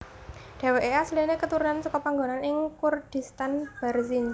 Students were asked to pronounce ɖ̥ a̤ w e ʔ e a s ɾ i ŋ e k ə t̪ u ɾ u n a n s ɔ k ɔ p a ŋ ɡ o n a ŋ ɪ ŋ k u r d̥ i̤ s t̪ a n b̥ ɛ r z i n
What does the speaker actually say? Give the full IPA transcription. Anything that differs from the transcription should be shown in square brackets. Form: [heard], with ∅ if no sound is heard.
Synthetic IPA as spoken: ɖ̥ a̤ w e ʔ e a s [l] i [n] e k ə t̪ u ɾ u n a n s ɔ k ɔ p a ŋ ɡ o n a [n] ɪ ŋ k u r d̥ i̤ s t̪ a n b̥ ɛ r z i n